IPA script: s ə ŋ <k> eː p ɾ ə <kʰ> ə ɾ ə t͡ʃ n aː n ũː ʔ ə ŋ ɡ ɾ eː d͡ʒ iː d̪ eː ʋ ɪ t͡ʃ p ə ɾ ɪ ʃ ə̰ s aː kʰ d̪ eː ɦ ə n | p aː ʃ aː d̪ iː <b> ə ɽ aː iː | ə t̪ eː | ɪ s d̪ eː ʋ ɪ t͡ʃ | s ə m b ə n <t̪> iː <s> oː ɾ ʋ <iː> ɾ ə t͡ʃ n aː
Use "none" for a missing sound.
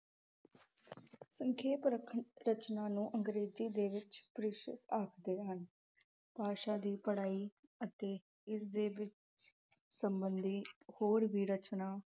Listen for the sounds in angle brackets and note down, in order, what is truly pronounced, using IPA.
kʰ, kʰ, p, d̪, h, iː

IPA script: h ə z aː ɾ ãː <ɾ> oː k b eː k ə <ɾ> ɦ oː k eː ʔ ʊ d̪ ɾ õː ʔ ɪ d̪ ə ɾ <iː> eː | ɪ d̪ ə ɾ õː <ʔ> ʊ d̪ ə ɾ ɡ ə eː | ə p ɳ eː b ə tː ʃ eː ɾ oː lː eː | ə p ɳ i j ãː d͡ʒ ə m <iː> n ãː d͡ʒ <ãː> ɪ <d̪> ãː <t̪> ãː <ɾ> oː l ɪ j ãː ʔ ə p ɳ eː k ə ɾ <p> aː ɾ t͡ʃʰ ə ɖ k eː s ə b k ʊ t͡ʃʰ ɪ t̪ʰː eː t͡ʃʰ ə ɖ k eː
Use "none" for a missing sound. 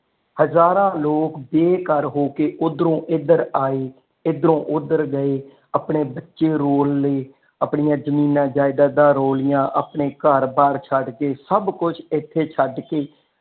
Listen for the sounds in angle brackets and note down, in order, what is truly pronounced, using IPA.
l, ɾ, aː, ʔ, iː, aː, d̪, d̪, ɾ, b

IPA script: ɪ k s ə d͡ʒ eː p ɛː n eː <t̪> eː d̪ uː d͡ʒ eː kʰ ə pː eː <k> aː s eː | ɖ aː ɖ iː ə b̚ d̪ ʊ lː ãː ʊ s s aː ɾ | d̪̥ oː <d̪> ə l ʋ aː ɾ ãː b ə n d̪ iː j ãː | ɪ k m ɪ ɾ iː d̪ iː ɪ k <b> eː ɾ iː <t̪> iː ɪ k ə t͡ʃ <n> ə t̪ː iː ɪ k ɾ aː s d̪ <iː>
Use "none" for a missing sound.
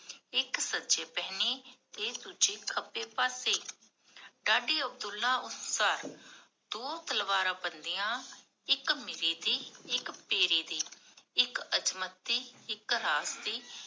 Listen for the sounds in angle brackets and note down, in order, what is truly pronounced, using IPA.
t̪, p, t̪, p, d̪, m, iː

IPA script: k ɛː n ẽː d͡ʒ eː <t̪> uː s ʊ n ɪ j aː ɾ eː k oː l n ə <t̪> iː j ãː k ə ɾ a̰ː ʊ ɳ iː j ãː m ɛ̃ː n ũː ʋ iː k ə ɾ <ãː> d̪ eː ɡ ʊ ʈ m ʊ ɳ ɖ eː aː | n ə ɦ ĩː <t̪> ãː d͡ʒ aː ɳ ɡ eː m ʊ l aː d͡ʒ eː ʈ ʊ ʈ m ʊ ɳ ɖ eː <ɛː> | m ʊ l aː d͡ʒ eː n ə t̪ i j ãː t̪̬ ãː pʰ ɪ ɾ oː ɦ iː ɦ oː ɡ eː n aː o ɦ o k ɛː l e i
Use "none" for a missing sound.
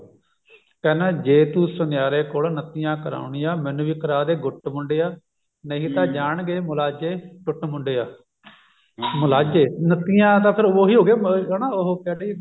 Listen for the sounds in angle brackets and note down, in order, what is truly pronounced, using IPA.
t̪, t̪, aː, t̪, aː

